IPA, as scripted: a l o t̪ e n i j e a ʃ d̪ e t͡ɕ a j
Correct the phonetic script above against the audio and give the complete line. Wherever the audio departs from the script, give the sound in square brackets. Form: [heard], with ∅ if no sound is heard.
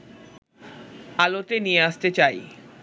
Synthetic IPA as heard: a l o t̪ e n i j e a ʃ [t̪] e t͡ɕ a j

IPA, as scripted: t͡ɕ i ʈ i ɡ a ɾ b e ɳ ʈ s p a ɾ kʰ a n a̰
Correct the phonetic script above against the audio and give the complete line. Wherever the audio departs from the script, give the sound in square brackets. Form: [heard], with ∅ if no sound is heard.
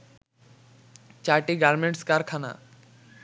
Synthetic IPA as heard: t͡ɕ [a] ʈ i ɡ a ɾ [m] e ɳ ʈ s [k] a ɾ kʰ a n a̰

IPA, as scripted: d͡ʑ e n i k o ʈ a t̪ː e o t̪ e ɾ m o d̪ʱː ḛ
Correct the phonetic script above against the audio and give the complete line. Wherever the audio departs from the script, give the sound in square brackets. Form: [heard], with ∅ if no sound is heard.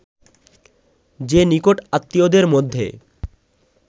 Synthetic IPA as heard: d͡ʑ e n i k o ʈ a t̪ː [i] o [d̪] e ɾ m o d̪ʱː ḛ

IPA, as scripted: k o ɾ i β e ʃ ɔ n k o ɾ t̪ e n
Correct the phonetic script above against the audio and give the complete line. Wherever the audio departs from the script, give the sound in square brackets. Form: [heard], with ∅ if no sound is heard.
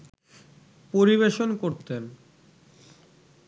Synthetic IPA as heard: [p] o ɾ i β e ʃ [o] n k o ɾ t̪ e n

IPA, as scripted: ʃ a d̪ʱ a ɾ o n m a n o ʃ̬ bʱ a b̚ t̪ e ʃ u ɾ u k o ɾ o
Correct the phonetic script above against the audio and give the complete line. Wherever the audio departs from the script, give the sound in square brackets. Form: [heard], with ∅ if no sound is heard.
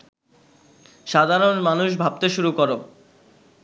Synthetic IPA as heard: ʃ a d̪ʱ a ɾ o n m a n [u] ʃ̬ bʱ a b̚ t̪ e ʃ u ɾ u k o ɾ o

